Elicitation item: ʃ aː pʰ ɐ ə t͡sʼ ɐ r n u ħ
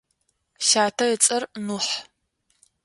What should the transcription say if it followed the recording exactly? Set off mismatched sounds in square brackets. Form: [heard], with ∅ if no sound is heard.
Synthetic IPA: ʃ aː [tʰ] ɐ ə t͡sʼ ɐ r n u ħ